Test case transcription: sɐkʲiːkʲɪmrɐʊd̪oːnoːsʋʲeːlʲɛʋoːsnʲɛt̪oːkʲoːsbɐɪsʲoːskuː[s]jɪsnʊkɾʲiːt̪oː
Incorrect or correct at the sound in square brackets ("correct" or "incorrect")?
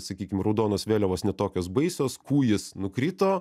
incorrect